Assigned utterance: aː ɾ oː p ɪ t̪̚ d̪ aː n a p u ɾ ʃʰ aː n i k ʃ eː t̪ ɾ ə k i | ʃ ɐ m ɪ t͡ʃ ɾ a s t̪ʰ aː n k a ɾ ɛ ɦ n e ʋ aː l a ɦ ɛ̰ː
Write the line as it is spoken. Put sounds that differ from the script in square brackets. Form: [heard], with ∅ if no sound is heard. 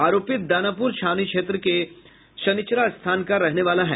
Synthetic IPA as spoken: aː ɾ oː p ɪ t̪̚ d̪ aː n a p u ɾ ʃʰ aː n i k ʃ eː t̪ ɾ ə k [e] | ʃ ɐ [n] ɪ t͡ʃ ɾ a s t̪ʰ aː n k a ɾ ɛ ɦ n e ʋ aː l a ɦ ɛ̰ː